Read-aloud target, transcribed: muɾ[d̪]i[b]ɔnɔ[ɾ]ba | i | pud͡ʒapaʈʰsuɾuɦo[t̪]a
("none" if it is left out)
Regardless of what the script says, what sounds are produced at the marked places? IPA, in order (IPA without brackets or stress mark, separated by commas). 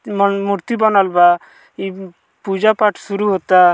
t̪, b, l, t̪